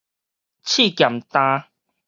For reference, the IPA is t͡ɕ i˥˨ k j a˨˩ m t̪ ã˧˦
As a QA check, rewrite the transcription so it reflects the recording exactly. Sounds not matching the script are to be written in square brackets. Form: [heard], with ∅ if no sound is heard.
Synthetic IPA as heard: [t͡ɕʰ] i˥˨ k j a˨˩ m t̪ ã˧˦